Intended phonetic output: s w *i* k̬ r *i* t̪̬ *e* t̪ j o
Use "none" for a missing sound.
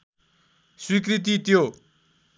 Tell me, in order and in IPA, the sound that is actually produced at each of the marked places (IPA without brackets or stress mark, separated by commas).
i, i, i